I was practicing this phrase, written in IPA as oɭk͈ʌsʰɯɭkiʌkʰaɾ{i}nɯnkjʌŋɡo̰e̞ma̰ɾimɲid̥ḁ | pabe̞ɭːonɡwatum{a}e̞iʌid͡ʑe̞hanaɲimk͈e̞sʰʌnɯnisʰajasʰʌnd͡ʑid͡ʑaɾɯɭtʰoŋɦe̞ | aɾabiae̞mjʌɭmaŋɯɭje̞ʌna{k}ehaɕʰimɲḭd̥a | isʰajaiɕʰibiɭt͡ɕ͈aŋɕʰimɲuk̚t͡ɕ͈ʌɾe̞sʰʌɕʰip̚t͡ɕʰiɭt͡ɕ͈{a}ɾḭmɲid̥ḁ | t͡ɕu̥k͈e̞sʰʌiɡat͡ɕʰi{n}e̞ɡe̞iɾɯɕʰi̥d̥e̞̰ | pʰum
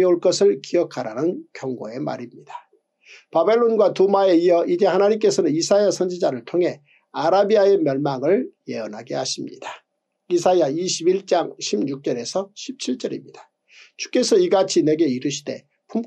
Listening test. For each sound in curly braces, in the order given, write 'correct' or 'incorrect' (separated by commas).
incorrect, correct, incorrect, incorrect, correct